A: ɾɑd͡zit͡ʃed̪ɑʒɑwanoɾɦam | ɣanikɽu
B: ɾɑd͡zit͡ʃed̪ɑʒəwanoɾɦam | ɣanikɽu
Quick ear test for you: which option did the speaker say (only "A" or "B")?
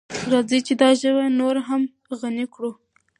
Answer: B